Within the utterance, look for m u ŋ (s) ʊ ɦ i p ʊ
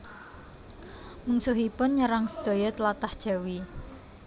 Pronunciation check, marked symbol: correct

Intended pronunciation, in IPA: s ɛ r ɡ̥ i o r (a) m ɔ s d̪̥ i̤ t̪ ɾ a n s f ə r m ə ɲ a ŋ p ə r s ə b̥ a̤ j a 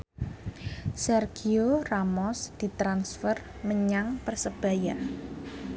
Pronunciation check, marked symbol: correct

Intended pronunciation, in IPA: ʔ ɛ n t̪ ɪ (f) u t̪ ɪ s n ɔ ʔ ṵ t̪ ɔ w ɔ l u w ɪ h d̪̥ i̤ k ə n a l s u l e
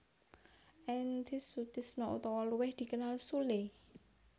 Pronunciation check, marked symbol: incorrect: s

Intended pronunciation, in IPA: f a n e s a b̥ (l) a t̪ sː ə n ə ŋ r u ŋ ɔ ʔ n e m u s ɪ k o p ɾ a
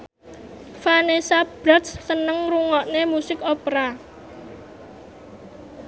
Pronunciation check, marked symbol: incorrect: ɾ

